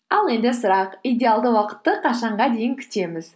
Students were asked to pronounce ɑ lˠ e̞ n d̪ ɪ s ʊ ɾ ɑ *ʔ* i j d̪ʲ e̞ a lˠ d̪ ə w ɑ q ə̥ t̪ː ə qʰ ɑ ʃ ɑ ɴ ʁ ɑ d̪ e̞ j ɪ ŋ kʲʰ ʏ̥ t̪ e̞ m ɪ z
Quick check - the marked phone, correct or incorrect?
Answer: incorrect